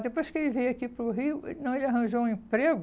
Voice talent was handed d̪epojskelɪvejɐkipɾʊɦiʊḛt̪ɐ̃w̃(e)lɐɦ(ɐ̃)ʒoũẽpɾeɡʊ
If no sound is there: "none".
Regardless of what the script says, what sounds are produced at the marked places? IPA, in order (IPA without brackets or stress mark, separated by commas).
e, ɐ̃